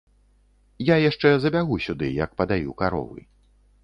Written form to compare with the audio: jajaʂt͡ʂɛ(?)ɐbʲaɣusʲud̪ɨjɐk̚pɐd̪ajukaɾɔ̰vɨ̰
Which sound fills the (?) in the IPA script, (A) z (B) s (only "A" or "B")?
A